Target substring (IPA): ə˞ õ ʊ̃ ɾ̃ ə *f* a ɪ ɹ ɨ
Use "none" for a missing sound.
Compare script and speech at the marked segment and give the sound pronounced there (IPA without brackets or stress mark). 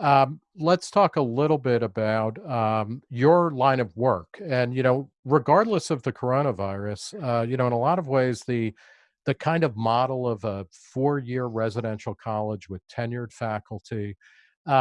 v